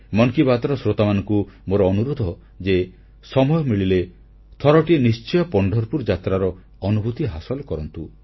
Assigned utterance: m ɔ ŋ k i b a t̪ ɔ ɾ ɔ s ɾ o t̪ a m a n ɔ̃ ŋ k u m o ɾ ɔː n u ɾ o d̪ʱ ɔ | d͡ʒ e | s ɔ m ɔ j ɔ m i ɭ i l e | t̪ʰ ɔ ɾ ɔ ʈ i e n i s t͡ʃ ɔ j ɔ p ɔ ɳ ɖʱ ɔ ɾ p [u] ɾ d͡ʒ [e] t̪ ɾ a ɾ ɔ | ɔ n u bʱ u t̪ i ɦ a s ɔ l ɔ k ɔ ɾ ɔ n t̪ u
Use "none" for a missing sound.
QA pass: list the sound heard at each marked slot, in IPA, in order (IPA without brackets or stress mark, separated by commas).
u, a